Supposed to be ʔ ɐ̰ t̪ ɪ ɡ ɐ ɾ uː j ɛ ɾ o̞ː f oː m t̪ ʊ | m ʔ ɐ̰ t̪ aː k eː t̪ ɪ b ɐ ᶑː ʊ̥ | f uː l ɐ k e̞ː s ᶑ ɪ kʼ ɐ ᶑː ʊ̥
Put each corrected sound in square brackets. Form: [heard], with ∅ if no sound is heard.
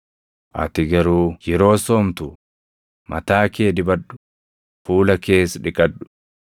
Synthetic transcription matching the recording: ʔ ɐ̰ t̪ ɪ ɡ ɐ ɾ uː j ɛ ɾ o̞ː [s] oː m t̪ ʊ | m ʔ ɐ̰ t̪ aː k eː [d̪] ɪ b ɐ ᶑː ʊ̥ | f uː l ɐ k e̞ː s ᶑ ɪ kʼ ɐ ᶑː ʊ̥